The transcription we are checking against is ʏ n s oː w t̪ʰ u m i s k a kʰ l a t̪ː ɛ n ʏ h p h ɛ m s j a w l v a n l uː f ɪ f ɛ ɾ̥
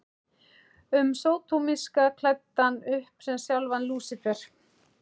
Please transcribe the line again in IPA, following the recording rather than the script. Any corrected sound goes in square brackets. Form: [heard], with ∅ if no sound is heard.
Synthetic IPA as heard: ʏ [m] s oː w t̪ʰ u m i s k a kʰ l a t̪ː [a] n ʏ h p [s] ɛ m s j a w l v a n l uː [s] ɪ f ɛ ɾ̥